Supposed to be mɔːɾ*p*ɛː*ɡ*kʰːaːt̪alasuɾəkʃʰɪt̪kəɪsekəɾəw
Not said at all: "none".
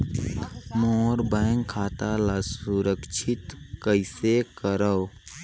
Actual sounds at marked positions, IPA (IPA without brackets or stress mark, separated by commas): b, ŋ